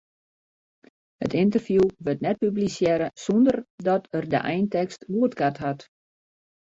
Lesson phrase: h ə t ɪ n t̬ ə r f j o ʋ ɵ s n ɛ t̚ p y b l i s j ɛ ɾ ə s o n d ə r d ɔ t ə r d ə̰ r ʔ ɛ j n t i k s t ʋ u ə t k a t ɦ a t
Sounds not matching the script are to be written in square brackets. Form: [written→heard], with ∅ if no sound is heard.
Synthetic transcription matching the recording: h ə t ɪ n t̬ ə r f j [o→u] ʋ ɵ [s→t] n ɛ t̚ p y b l i s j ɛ ɾ ə s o n d ə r d ɔ t ə r d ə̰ [r→∅] ʔ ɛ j n t [i→ɛ] k s t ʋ u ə t k a t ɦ a t